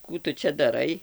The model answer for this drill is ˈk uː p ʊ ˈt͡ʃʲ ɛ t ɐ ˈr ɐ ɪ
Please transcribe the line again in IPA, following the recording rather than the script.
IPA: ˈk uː t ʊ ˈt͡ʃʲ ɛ d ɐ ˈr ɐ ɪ